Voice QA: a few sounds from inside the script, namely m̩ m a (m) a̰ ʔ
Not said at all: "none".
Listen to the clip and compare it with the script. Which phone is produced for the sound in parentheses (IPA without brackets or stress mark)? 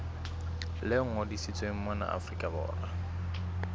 n